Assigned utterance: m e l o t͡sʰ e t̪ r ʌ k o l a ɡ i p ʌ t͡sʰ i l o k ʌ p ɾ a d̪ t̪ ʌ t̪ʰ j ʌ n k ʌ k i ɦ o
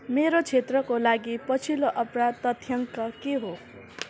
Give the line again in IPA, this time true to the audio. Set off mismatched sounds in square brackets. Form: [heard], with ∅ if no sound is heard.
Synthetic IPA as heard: m e [ɾ] o t͡sʰ e t̪ r ʌ k o l a ɡ i p ʌ t͡sʰ i l o [ʔ] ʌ p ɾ a d̪ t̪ ʌ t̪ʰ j ʌ [ŋ] k ʌ k [e] ɦ o